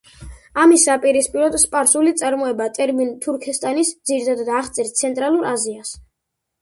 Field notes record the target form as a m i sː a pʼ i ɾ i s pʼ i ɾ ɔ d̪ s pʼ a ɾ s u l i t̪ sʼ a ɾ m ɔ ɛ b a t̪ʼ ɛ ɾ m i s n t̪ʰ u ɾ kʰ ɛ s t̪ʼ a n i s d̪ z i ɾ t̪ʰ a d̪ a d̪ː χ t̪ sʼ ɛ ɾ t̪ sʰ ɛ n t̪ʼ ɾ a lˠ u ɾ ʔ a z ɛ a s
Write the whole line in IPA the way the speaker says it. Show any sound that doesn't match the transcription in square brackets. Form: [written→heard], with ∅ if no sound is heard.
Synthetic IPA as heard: a m i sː a pʼ i ɾ i s pʼ i ɾ ɔ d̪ s pʼ a ɾ s u l i t̪ sʼ a ɾ m ɔ ɛ b a t̪ʼ ɛ ɾ m i [s→∅] n t̪ʰ u ɾ kʰ ɛ s t̪ʼ a n i s d̪ z i ɾ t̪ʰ a d̪ a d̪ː χ t̪ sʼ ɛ ɾ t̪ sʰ ɛ n t̪ʼ ɾ a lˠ u ɾ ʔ a z [ɛ→i] a s